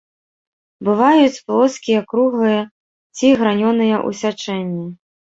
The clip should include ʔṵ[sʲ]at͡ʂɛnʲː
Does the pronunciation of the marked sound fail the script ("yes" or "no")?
no